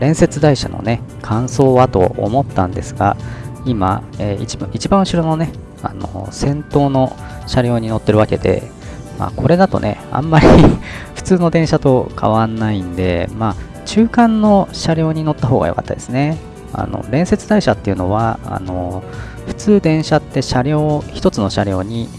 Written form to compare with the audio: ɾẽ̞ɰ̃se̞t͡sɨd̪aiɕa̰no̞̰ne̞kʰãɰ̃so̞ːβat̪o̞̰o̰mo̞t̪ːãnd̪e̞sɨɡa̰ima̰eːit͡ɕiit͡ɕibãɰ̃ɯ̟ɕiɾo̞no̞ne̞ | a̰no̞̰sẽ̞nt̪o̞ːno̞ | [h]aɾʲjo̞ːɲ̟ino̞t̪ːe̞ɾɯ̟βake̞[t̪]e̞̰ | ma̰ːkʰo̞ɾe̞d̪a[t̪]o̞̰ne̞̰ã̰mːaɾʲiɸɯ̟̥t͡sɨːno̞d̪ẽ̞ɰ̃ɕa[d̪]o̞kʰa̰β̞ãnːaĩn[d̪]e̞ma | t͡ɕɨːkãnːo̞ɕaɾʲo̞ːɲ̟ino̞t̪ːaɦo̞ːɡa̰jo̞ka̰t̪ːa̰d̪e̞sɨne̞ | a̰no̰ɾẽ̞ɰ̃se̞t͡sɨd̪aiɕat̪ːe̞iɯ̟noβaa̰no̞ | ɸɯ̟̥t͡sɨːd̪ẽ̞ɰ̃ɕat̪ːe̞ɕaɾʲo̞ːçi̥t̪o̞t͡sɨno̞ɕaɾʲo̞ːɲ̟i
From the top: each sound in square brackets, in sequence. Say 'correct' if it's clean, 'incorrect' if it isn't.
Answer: incorrect, incorrect, correct, incorrect, correct

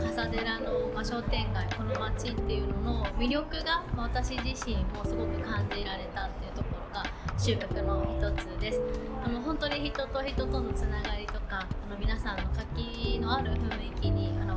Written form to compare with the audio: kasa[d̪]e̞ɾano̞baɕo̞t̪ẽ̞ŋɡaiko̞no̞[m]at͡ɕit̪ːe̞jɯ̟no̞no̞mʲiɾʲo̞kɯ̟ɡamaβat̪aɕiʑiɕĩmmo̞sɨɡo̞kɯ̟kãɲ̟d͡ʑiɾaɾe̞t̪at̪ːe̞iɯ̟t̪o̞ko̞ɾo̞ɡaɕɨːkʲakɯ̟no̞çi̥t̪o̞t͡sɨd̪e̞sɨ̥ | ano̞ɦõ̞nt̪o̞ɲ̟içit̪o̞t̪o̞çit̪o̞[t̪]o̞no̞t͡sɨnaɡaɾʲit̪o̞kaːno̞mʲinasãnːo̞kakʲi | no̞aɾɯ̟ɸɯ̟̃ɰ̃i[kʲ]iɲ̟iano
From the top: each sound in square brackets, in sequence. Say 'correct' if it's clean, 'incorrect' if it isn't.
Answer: correct, correct, correct, correct

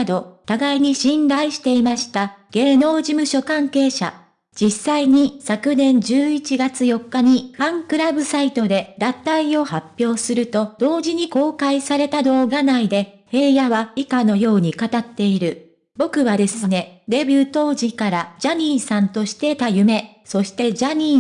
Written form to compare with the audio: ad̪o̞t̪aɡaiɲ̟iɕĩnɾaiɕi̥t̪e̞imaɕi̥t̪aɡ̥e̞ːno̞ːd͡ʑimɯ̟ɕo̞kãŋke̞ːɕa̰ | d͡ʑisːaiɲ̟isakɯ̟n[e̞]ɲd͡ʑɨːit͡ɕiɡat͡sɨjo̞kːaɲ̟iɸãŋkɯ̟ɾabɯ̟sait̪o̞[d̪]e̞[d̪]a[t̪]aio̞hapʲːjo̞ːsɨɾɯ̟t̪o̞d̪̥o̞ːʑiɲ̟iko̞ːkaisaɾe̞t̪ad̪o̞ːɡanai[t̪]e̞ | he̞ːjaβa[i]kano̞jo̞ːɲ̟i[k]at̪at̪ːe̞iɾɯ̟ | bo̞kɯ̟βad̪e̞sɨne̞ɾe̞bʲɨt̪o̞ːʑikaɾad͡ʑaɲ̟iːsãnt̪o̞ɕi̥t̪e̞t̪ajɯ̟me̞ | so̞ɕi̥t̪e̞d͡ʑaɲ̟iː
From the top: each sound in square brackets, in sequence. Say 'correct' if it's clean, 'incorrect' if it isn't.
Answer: incorrect, correct, correct, correct, incorrect, correct, correct

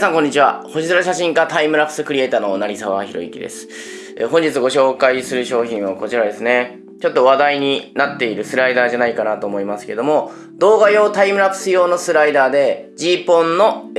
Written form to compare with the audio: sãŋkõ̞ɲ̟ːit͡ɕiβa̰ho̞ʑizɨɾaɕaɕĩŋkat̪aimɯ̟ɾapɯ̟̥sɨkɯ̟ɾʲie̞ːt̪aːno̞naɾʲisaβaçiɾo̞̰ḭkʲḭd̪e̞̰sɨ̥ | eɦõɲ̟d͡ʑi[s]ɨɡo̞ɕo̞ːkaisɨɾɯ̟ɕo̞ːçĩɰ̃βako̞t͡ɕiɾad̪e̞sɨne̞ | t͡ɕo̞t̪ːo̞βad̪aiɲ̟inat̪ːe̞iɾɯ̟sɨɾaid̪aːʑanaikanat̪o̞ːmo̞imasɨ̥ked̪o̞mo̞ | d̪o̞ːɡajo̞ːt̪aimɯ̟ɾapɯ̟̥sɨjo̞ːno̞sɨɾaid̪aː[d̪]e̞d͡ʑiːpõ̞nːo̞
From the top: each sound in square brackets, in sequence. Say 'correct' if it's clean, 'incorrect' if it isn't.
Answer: incorrect, correct

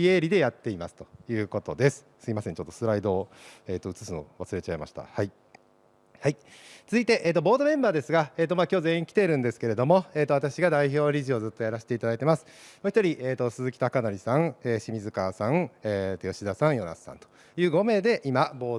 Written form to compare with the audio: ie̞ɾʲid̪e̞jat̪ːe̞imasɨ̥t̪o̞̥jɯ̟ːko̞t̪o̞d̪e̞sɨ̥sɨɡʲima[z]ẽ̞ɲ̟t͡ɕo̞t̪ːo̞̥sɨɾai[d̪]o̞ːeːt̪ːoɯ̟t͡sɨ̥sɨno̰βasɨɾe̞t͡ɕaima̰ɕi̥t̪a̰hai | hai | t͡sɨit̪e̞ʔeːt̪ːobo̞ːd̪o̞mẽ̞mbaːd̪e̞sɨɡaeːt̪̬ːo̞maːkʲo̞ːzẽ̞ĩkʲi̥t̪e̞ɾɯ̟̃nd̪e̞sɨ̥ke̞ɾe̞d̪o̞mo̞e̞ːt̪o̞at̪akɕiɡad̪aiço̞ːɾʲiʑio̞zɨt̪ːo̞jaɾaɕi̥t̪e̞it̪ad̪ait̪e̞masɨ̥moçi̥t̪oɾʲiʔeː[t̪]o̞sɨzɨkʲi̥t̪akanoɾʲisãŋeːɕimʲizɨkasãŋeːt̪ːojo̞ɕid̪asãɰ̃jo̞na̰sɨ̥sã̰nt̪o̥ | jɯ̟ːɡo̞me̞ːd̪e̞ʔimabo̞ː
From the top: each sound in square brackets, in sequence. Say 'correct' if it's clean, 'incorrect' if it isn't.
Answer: incorrect, correct, correct

